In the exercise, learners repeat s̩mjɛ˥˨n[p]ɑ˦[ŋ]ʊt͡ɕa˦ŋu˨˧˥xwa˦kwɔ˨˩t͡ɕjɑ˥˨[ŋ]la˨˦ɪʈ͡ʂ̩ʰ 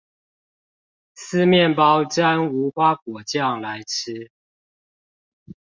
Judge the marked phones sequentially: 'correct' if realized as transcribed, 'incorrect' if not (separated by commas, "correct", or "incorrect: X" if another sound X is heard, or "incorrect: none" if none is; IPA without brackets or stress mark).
correct, incorrect: none, correct